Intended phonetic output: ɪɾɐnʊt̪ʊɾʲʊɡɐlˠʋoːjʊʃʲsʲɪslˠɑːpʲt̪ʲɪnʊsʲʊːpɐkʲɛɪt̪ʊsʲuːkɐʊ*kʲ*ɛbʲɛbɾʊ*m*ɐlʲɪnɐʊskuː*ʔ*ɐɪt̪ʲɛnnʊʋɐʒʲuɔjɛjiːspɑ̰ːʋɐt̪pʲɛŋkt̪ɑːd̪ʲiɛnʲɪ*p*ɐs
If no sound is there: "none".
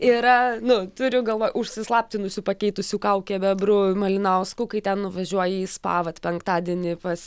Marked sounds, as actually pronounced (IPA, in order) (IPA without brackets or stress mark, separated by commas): kʲ, m, k, p